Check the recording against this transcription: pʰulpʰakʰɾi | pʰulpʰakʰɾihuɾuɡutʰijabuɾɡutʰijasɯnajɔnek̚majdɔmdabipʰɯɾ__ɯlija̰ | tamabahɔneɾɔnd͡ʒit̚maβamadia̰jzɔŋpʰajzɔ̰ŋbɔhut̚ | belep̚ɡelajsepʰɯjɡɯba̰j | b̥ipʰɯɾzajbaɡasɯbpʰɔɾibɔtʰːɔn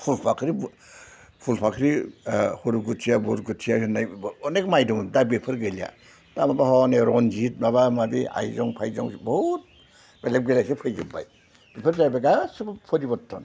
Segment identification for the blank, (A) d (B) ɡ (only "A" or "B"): B